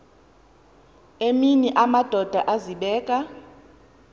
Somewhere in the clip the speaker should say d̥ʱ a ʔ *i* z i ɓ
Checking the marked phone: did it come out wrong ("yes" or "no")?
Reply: yes